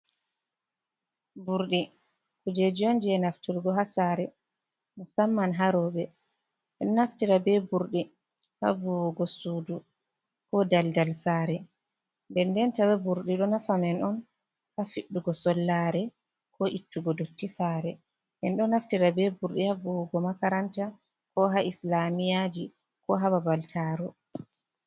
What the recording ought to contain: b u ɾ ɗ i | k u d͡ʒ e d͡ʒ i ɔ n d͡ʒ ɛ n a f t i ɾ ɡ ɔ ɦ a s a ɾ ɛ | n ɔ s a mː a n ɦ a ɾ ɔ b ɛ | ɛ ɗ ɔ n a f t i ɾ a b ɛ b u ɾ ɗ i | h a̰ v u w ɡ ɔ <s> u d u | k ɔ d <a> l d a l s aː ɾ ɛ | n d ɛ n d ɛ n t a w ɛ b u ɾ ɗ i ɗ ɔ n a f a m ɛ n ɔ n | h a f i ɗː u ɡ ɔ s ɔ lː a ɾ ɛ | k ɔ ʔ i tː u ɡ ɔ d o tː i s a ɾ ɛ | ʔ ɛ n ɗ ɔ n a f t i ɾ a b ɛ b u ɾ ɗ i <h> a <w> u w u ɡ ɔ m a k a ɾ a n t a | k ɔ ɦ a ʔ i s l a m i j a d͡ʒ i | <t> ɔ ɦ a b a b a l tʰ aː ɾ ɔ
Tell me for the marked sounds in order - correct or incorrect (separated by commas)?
correct, correct, correct, incorrect, incorrect